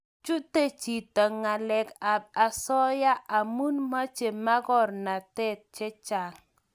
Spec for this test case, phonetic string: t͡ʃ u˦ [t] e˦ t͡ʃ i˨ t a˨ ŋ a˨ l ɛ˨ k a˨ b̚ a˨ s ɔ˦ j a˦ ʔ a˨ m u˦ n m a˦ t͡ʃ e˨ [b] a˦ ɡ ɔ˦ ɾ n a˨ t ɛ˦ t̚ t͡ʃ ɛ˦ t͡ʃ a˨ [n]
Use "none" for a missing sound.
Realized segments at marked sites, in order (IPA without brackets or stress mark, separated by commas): t, m, ŋ